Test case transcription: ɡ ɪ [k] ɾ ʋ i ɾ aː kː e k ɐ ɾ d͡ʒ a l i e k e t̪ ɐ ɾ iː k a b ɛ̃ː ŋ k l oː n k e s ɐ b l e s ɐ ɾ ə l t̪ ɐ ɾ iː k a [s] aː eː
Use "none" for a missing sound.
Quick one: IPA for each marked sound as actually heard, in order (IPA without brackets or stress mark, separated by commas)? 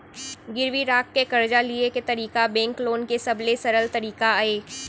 none, none